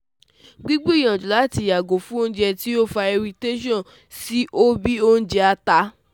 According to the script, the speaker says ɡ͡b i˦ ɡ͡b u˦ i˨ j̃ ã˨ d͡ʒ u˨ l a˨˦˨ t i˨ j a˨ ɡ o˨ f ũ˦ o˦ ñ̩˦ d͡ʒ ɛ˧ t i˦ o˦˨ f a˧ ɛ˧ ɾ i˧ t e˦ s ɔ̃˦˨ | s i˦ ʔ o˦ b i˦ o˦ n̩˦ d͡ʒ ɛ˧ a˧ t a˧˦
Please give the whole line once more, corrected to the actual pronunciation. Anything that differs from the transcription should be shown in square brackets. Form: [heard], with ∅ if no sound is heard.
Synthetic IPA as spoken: ɡ͡b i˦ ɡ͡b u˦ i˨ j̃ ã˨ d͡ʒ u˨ l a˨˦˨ t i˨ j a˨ ɡ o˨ f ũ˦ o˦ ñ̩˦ d͡ʒ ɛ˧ t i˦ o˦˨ f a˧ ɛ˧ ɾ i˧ t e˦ [ʃ] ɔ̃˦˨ | s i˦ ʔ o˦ b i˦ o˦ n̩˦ d͡ʒ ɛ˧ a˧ t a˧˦

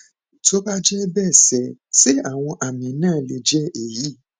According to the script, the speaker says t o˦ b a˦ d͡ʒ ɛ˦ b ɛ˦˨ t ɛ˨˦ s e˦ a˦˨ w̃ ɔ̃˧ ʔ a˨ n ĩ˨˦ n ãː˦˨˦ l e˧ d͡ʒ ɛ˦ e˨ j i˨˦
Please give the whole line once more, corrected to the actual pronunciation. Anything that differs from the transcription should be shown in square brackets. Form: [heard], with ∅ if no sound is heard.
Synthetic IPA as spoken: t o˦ b a˦ d͡ʒ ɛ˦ b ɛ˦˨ [s] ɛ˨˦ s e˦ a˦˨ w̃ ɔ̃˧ ʔ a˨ [m] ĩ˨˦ n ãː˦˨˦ l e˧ d͡ʒ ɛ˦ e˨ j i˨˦

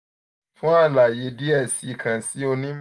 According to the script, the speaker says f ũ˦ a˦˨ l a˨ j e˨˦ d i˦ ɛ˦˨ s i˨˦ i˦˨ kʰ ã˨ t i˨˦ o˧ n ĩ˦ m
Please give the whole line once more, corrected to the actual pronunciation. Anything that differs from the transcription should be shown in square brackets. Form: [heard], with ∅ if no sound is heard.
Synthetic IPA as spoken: f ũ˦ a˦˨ l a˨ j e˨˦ d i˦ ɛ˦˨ s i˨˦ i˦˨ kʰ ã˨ [s] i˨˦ o˧ n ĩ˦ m

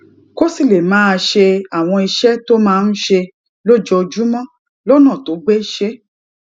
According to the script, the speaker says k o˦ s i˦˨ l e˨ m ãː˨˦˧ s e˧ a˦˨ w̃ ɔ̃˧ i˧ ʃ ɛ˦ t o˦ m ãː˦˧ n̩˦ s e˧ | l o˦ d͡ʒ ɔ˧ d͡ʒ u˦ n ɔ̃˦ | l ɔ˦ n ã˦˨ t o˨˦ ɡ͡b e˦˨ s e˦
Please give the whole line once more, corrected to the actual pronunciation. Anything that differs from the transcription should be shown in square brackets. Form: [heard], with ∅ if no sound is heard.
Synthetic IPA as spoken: k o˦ s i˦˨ l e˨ m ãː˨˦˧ [ʃ] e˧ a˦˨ w̃ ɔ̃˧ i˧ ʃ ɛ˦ t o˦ m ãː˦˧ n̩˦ [ʃ] e˧ | l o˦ d͡ʒ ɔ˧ d͡ʒ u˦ [m] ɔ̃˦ | l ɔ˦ n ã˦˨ t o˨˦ ɡ͡b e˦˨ [ʃ] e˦

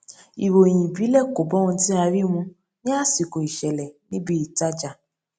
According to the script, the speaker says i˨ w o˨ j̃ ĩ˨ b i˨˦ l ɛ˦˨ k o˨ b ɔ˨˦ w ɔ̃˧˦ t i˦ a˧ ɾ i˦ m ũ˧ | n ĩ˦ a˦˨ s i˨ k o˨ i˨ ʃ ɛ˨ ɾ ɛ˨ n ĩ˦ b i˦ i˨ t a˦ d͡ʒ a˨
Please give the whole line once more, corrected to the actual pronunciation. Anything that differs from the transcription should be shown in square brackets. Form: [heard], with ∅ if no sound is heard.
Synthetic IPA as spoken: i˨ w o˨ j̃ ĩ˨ b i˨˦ l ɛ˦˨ k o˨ b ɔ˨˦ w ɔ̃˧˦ t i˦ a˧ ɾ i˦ m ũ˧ | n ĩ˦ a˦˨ s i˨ k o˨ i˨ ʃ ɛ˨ [l] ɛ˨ n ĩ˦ b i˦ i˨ t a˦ d͡ʒ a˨

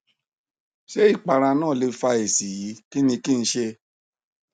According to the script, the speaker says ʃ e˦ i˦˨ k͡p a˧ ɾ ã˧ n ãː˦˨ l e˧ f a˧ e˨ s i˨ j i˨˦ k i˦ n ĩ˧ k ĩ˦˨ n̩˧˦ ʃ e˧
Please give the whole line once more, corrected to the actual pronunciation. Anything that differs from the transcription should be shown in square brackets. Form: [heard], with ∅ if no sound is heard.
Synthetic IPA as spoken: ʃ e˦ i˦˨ k͡p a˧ ɾ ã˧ n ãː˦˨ l e˧ f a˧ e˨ s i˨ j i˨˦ k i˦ n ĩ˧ k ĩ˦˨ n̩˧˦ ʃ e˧

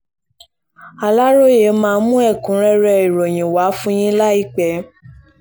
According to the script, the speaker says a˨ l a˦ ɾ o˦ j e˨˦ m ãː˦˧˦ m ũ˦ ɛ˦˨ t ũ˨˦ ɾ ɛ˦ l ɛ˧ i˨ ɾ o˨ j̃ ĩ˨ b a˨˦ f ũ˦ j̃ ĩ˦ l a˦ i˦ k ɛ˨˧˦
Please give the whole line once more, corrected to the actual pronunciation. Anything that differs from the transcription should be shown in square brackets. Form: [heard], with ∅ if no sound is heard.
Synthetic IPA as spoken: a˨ l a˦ ɾ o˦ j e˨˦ m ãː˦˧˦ m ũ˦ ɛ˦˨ [k] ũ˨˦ ɾ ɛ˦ [ɾ] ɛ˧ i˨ ɾ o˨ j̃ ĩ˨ [w] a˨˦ f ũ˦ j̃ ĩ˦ l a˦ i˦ [k͡p] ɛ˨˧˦

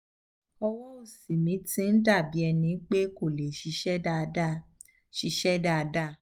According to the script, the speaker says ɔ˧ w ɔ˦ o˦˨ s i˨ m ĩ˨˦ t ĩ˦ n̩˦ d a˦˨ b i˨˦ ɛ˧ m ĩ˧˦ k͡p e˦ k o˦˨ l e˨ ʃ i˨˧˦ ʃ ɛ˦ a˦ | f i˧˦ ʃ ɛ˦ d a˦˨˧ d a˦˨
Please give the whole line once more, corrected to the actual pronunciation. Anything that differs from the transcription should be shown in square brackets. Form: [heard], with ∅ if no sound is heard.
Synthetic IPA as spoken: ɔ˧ w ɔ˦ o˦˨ s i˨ m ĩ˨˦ t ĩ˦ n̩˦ d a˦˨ b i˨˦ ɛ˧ [n] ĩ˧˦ k͡p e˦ k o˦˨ l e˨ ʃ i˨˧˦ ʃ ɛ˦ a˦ | [ʃ] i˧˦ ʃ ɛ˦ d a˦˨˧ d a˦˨

